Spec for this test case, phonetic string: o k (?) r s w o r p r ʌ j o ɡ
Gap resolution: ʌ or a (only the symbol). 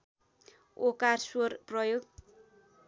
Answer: a